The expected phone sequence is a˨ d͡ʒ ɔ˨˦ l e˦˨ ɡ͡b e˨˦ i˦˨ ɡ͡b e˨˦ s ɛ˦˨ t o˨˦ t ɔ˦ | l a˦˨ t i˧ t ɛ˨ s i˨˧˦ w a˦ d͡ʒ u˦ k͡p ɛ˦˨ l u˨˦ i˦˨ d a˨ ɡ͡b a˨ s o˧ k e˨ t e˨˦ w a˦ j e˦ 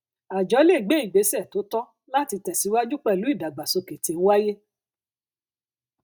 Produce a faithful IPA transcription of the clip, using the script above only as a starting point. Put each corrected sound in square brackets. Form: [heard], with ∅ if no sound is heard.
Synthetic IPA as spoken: a˨ d͡ʒ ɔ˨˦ l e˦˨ ɡ͡b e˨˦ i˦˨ ɡ͡b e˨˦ s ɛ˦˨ t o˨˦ t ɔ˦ | l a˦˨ t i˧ t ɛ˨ s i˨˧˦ w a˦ d͡ʒ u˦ k͡p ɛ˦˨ l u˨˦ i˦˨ d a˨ ɡ͡b a˨ s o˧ k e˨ t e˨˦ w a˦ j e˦